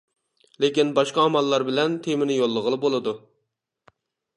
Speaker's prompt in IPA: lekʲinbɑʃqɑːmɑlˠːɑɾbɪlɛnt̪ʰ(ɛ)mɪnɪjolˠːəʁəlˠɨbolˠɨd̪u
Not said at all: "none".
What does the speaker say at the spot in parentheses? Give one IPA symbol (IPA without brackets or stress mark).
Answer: e